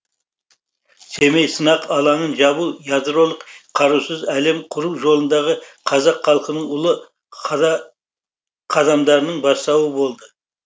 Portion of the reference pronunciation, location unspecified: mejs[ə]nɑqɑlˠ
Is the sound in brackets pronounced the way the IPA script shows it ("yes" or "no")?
yes